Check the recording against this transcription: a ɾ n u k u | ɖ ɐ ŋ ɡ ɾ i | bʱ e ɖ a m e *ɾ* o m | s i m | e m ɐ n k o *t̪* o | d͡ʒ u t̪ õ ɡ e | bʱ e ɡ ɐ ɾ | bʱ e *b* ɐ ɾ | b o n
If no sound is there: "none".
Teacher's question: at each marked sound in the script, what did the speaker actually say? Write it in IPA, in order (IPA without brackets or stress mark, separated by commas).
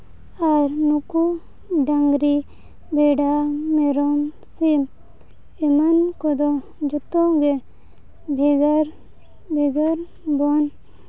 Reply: ɾ, d̪, ɡ